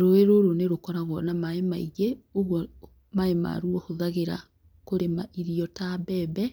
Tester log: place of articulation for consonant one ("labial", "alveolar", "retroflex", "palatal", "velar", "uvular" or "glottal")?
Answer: alveolar